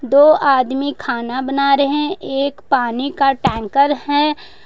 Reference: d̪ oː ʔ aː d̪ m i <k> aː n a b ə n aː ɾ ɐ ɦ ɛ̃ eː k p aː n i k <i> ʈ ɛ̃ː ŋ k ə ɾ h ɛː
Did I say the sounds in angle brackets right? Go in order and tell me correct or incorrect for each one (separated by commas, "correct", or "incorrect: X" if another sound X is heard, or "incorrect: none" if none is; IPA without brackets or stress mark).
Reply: incorrect: kʰ, incorrect: a